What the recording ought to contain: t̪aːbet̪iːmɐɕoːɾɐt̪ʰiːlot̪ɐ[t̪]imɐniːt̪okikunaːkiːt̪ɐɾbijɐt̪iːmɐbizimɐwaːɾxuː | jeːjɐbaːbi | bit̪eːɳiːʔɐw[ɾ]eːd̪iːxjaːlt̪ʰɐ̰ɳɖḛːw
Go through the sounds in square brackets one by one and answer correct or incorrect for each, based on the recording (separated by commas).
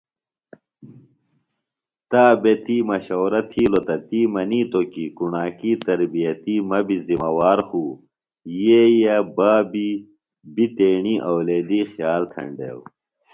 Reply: correct, incorrect